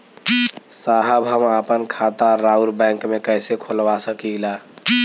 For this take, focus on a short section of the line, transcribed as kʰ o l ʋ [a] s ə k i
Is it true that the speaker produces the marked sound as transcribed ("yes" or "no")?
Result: yes